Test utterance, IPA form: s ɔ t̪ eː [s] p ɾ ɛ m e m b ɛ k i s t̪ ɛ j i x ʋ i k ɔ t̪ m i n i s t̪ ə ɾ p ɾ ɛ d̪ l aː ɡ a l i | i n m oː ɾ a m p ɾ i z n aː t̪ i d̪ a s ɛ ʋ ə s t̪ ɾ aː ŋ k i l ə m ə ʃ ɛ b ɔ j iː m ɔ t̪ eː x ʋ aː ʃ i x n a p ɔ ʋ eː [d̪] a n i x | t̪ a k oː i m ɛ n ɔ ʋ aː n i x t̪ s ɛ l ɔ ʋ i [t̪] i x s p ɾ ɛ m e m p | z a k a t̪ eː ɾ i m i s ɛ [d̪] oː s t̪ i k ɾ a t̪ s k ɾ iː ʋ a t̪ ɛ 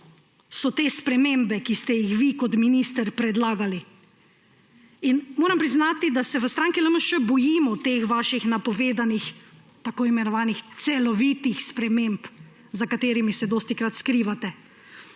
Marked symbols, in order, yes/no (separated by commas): yes, yes, yes, yes